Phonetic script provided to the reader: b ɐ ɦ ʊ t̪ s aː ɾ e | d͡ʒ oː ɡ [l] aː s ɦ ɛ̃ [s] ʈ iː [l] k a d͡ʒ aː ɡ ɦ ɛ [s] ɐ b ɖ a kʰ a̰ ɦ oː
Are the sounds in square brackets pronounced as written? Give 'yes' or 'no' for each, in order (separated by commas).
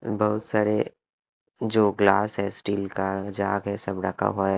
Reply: yes, yes, yes, yes